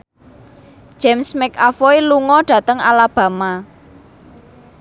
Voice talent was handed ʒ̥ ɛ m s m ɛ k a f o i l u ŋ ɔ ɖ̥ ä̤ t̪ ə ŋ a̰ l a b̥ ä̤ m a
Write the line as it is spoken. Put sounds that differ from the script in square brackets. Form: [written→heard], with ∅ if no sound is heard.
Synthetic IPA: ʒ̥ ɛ m s m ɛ k a f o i l u ŋ ɔ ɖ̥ ä̤ t̪ ə ŋ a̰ l a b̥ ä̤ m a